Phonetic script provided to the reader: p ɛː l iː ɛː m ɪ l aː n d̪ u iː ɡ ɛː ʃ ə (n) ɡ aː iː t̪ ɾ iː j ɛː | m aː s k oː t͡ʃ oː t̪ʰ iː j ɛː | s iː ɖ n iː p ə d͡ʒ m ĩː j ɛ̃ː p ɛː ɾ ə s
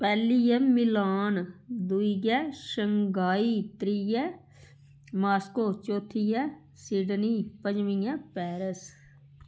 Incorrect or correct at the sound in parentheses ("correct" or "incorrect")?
incorrect